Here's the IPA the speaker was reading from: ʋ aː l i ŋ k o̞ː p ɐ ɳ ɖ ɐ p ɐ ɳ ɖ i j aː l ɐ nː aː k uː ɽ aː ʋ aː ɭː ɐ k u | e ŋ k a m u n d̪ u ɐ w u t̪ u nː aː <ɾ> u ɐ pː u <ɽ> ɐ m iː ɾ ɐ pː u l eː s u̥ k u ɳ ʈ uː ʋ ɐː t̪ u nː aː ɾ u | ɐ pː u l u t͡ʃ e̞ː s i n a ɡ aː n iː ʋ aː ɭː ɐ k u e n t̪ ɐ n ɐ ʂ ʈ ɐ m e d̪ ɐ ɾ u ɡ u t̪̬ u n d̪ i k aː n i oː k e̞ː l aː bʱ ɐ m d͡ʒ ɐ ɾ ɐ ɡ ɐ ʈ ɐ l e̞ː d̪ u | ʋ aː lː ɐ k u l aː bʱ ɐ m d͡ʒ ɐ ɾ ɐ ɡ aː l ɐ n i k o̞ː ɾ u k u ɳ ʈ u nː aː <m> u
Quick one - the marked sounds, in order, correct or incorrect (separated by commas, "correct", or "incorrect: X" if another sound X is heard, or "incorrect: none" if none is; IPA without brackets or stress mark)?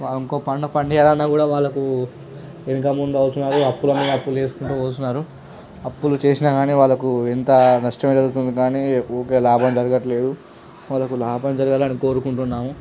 correct, incorrect: l, correct